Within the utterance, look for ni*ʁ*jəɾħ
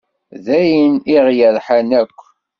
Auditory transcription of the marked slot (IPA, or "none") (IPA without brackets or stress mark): ʁ